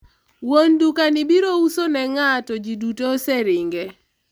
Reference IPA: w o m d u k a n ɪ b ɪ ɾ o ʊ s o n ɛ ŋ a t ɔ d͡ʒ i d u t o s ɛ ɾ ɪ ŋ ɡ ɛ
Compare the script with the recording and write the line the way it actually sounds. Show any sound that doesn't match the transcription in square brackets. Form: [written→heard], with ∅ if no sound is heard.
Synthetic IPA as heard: w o [m→n] d u k a n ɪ b [ɪ→i] ɾ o [ʊ→u] s o n ɛ ŋ a t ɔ d͡ʒ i d u t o s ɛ ɾ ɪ ŋ ɡ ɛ

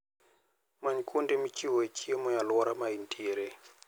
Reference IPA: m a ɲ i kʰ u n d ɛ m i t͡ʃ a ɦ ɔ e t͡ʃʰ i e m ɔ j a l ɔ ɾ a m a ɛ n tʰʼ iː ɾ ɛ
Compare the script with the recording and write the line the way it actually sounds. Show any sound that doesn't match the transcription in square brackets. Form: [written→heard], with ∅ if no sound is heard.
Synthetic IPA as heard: m a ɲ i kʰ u n d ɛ m i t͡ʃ [a→i] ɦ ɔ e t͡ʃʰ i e m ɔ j a l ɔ ɾ a m a [ɛ→i] n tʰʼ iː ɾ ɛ

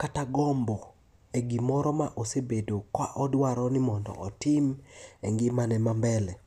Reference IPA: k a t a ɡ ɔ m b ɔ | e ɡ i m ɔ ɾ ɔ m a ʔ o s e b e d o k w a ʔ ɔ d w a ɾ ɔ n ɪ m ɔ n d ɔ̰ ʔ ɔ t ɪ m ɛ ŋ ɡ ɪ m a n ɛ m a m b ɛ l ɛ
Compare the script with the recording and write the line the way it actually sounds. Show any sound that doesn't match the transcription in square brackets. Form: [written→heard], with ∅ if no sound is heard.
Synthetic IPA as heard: k a t a ɡ ɔ m b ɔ | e ɡ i m ɔ ɾ ɔ m a ʔ o s e b e d o k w a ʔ ɔ d w a ɾ ɔ n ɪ m ɔ n d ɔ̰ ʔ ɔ t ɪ m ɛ ŋ ɡ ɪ m a n ɛ m a m b ɛ l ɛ

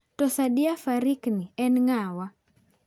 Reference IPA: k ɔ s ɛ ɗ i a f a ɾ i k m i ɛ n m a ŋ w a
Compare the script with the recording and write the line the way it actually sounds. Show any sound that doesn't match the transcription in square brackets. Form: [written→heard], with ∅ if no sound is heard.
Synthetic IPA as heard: [k→t] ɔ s [ɛ→a] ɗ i a f a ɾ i k [m→n] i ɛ n [m→ŋ] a [ŋ→∅] w a

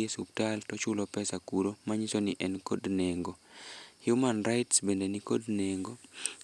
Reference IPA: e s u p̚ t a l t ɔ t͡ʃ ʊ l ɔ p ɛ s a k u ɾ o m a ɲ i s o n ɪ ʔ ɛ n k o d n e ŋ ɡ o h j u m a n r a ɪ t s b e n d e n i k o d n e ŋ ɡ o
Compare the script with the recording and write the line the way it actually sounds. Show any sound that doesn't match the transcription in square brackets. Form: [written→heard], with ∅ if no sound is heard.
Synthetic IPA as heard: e s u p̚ t a l t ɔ t͡ʃ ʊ l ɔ p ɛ s a k u ɾ o m a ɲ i s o n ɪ ʔ ɛ n k o d n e ŋ ɡ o h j u m a n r a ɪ t s b e n d e n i k o d n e ŋ ɡ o

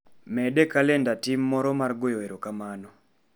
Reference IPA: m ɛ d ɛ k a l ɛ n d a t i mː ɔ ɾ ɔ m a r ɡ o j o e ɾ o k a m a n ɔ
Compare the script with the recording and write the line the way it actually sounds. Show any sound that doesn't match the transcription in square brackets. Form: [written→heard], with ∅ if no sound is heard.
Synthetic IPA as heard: m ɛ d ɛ k a l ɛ n d a t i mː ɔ ɾ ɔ m a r ɡ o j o e ɾ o k a m a n ɔ

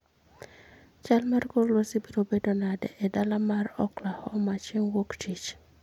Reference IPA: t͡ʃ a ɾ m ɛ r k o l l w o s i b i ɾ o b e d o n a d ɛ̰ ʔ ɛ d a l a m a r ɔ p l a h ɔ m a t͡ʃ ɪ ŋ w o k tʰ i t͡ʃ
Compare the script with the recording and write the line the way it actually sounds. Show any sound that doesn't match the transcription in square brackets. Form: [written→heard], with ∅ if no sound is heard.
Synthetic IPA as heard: t͡ʃ a [ɾ→l] m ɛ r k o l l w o s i b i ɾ o b e d o n a d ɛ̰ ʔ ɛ d a l a m a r ɔ [p→k] l a h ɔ m a t͡ʃ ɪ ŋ w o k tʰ i t͡ʃ

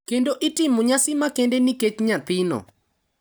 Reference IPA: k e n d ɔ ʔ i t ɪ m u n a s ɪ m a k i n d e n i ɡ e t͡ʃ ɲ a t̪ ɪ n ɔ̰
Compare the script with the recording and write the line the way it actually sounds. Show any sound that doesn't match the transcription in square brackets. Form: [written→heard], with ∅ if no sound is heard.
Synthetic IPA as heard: k e n d [ɔ→o] ʔ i t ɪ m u [n→ɲ] a s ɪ m a k [i→e] n d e n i [ɡ→k] e t͡ʃ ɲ a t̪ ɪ n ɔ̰

